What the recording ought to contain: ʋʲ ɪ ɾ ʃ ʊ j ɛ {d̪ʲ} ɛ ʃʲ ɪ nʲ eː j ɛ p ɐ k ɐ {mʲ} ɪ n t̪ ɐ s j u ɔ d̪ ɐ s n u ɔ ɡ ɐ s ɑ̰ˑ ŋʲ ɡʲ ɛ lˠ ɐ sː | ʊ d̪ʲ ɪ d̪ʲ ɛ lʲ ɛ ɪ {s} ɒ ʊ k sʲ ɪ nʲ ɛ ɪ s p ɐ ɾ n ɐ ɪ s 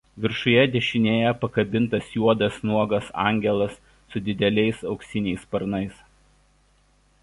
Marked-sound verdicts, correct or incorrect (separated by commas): correct, incorrect, correct